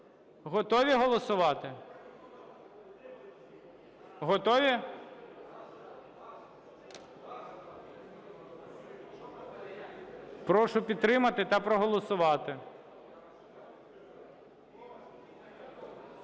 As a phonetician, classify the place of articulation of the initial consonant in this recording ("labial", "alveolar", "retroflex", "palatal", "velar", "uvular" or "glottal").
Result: glottal